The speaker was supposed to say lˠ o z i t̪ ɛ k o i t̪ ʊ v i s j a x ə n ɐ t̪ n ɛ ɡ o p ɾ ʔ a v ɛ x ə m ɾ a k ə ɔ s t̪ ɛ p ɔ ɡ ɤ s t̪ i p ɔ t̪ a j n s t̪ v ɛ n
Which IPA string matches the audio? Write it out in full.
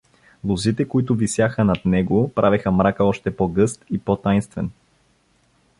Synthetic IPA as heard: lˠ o z i t̪ ɛ k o i t̪ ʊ v i s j a x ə n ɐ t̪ n ɛ ɡ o p ɾ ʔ a v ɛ x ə m ɾ a k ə ɔ ʃ t̪ ɛ p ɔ ɡ ɤ s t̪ i p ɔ t̪ a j n s t̪ v ɛ n